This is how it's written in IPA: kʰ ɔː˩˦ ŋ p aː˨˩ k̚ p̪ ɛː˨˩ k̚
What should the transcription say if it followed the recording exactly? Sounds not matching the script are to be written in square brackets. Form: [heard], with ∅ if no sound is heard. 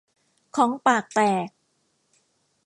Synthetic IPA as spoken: kʰ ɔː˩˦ ŋ p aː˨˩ k̚ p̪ ɛː˨˩ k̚